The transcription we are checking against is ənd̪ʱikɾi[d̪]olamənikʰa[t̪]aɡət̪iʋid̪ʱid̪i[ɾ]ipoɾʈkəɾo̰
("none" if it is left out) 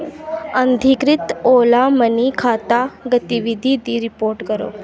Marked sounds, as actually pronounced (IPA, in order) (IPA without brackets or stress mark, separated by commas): t̪, t̪, ɾ